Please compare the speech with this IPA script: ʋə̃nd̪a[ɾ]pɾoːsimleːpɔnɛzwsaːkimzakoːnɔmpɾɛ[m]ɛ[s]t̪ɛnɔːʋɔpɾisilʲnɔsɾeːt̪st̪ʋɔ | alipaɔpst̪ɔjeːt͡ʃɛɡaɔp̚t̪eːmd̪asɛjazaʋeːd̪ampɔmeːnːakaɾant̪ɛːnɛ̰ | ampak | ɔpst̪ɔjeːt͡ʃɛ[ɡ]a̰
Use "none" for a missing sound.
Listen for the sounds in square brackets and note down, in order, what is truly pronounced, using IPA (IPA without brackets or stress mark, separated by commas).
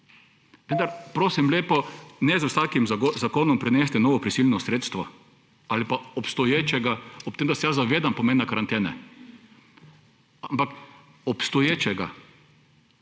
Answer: ɾ, n, s, ɡ